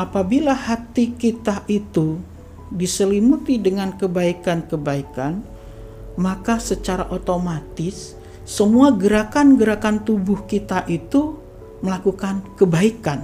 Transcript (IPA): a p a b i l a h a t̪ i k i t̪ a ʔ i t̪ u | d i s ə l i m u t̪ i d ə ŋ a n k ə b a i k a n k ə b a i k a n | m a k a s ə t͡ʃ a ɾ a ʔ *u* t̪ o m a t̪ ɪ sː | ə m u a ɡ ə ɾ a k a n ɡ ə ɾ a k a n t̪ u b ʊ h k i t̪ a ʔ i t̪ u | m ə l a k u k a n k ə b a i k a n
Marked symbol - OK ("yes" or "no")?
no